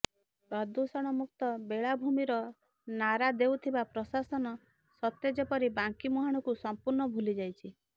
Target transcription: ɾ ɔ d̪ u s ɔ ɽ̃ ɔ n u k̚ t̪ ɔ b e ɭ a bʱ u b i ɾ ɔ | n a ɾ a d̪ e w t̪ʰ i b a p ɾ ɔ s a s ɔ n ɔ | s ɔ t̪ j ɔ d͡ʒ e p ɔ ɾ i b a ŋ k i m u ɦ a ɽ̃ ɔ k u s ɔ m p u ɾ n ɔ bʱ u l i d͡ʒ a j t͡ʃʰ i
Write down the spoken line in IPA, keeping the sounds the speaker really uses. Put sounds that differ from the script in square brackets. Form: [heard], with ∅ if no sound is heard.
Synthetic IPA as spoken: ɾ ɔ d̪ u s ɔ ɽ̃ ɔ [m] u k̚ t̪ ɔ b e ɭ a bʱ u [m] i ɾ ɔ | n a ɾ a d̪ e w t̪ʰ i b a p ɾ ɔ s a s ɔ n ɔ | s ɔ t̪ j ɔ d͡ʒ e p ɔ ɾ i b a ŋ k i m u ɦ a ɽ̃ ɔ k u s ɔ m p u ɾ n ɔ bʱ u l i d͡ʒ a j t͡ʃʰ i